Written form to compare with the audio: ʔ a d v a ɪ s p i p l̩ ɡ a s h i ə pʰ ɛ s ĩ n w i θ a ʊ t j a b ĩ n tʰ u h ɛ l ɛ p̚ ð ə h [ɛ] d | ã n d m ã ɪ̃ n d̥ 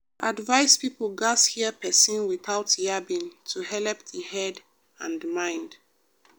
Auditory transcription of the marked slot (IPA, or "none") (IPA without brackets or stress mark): ɛ